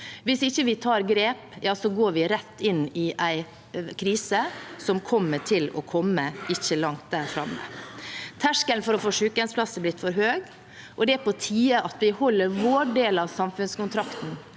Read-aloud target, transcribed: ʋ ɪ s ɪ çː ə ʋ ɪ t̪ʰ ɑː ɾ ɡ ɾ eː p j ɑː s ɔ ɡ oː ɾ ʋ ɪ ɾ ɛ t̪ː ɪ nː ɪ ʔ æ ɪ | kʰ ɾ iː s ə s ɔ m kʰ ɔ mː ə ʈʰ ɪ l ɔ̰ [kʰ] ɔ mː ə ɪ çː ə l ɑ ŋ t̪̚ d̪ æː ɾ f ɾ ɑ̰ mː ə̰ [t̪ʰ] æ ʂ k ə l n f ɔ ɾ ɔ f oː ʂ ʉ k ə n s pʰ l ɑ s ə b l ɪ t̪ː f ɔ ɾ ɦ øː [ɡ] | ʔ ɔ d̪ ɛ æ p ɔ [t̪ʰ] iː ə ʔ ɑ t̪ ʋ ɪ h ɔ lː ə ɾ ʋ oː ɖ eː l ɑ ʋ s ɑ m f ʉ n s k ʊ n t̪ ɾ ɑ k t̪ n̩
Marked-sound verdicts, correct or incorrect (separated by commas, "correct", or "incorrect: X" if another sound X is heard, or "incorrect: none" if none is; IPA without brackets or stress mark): correct, correct, correct, correct